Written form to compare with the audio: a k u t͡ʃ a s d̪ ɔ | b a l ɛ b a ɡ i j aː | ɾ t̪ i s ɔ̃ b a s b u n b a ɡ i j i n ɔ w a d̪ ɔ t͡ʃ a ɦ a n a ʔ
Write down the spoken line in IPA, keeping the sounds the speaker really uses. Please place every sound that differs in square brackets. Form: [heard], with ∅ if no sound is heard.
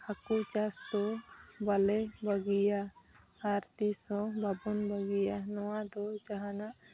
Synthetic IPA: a k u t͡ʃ a s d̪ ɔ | b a l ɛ b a ɡ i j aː | ɾ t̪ i s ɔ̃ b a [∅] b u n b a ɡ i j [a] n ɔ w a d̪ ɔ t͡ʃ a ɦ a n a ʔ